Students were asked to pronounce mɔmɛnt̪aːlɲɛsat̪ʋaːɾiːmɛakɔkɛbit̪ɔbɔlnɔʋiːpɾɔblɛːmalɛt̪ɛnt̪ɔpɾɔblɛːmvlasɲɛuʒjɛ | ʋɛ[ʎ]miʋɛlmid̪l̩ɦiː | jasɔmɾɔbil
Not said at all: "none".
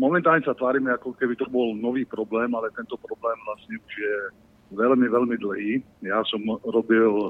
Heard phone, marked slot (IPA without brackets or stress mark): l